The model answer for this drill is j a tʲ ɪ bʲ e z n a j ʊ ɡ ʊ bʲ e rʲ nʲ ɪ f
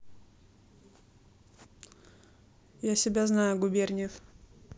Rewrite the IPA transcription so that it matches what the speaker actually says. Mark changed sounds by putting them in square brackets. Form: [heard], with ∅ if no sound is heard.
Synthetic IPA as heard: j a [sʲ] ɪ bʲ [a] z n a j ʊ ɡ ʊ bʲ e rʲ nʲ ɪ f